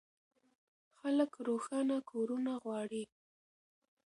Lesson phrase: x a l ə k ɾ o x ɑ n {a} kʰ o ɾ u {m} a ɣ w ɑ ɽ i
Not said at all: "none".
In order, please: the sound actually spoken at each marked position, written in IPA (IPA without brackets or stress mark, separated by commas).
a, n